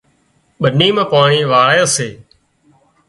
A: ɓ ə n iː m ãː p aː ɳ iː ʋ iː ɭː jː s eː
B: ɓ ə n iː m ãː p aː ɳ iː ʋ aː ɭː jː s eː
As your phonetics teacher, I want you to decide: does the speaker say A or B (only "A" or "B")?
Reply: B